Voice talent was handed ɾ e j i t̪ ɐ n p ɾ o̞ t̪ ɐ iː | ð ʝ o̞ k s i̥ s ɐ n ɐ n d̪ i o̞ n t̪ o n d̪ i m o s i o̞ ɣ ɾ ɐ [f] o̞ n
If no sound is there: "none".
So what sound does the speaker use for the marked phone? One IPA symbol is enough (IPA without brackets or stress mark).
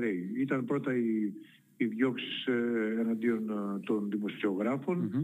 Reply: f